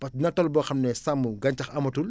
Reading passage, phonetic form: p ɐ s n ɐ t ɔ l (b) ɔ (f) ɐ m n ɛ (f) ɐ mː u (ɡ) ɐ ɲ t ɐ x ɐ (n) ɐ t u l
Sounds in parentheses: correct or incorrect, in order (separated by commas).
correct, incorrect, incorrect, correct, incorrect